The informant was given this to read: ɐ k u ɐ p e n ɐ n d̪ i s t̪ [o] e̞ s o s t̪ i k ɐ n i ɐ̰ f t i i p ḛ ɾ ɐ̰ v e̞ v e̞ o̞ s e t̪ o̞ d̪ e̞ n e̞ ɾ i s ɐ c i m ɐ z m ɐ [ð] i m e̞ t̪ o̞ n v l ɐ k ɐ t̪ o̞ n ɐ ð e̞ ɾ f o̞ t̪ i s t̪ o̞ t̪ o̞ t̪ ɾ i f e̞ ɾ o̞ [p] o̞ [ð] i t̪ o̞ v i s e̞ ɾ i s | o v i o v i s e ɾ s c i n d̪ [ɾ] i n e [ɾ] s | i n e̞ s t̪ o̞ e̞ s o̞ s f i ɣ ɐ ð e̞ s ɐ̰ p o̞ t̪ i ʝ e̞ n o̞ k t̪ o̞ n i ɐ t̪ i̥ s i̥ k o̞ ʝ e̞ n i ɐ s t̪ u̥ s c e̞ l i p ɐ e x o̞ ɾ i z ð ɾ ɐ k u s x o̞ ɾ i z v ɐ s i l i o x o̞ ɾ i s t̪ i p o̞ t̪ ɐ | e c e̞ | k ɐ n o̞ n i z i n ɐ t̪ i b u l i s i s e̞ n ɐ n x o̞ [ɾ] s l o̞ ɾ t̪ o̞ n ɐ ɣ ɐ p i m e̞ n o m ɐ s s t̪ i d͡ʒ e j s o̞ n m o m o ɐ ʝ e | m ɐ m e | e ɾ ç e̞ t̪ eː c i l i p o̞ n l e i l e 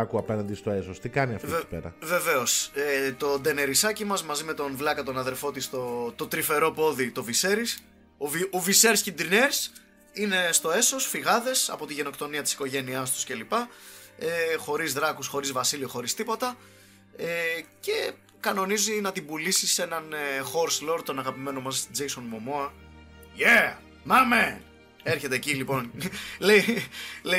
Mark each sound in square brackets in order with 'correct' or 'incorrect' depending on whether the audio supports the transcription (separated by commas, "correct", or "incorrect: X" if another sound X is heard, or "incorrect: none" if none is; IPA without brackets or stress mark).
correct, incorrect: z, correct, correct, correct, correct, correct